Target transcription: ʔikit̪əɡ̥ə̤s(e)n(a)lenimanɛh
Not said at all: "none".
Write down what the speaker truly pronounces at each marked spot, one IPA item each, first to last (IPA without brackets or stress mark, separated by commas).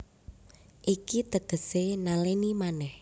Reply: e, a